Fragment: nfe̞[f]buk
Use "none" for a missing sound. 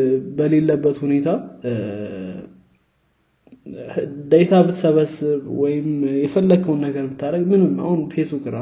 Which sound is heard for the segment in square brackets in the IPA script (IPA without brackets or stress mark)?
s